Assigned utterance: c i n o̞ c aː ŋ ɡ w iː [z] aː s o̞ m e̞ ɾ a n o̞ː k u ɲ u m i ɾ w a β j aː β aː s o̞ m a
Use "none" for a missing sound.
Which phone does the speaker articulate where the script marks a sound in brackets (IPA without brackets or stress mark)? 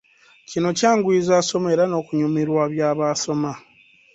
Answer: z